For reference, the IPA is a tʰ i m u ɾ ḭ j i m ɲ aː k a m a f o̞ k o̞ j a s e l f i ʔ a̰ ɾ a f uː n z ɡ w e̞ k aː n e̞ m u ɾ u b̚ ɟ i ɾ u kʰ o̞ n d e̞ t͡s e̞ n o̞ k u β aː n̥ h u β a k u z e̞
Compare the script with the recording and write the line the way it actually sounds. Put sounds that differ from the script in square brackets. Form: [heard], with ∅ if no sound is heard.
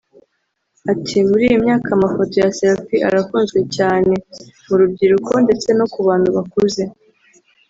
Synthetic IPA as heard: a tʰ i m u ɾ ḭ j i m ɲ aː k a m a f o̞ [t] o̞ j a s e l f i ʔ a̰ ɾ a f uː n z ɡ w e̞ [c] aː n e̞ m u ɾ u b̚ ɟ i ɾ u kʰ o̞ n d e̞ t͡s e̞ n o̞ k u β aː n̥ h u β a k u z e̞